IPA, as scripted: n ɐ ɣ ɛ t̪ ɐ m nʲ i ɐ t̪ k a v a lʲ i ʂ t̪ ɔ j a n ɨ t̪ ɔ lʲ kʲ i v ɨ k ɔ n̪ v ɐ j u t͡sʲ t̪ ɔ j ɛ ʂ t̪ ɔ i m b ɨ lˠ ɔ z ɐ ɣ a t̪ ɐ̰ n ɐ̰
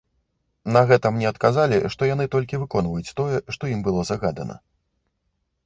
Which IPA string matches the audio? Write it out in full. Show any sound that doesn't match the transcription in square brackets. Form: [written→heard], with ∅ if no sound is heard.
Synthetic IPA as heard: n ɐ ɣ ɛ t̪ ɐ m nʲ [i→ɛ] ɐ t̪ k a [v→z] a lʲ i ʂ t̪ ɔ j a n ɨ t̪ ɔ lʲ kʲ i v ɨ k ɔ n̪ v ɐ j u t͡sʲ t̪ ɔ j ɛ ʂ t̪ ɔ i m b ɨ lˠ ɔ z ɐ ɣ a [t̪→d̪] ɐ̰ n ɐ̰